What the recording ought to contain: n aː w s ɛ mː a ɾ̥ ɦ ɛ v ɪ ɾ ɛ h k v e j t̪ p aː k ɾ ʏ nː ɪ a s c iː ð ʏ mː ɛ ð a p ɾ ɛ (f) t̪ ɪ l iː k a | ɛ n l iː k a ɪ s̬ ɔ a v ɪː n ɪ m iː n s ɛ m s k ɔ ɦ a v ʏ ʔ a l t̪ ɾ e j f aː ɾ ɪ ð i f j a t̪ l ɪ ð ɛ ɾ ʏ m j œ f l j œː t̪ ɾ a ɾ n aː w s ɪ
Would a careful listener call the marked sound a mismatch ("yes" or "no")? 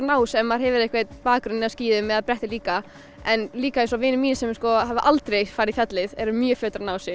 yes